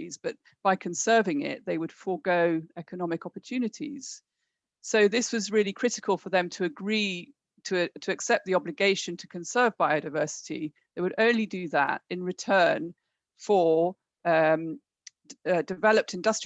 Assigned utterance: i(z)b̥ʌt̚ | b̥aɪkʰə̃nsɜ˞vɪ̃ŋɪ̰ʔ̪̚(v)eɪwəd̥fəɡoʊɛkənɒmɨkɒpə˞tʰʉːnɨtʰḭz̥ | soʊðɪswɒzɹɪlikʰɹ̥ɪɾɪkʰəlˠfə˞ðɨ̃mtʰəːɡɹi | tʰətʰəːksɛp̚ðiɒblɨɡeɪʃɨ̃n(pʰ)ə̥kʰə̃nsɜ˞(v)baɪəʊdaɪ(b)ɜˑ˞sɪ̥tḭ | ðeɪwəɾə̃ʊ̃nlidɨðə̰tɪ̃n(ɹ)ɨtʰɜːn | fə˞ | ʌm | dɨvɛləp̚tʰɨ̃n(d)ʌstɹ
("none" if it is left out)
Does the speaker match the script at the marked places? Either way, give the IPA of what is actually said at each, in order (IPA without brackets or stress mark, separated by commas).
z, ð, tʰ, v, v, ɹ, d